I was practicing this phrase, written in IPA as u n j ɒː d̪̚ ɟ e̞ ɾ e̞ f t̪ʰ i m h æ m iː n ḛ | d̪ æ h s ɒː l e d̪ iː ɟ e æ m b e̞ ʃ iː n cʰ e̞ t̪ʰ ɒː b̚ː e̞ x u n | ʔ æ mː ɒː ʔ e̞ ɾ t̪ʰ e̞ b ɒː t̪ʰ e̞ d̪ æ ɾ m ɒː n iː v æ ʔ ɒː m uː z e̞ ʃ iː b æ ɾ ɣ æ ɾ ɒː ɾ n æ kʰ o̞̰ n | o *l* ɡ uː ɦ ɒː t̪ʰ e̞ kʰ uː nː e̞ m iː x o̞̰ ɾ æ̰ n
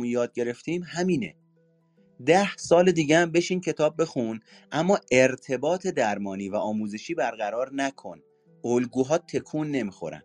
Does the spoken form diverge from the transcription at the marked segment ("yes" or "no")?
no